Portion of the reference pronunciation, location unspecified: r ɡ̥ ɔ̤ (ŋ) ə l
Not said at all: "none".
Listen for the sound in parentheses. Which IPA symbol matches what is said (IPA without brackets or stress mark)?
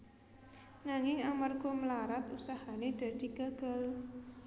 m